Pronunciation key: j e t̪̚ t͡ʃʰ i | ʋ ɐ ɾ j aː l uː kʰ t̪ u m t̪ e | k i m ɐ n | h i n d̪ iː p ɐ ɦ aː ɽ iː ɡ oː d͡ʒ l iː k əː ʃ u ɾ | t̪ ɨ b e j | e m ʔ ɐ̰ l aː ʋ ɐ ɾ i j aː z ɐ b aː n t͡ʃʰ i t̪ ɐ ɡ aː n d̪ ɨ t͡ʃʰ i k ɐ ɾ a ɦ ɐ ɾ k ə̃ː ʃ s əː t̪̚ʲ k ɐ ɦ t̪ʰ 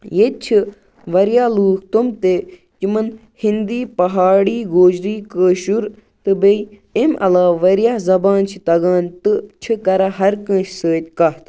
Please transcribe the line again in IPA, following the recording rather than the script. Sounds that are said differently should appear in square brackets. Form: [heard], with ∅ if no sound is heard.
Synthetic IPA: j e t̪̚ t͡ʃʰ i | ʋ ɐ ɾ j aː l uː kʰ t̪ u m t̪ e | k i m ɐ n | h i n d̪ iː p ɐ ɦ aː ɽ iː ɡ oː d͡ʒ [ɾ] iː k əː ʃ u ɾ | t̪ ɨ b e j | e m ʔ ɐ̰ l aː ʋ ɐ ɾ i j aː z ɐ b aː n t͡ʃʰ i t̪ ɐ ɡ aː n [t̪] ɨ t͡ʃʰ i k ɐ ɾ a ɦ ɐ ɾ k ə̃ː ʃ s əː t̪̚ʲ k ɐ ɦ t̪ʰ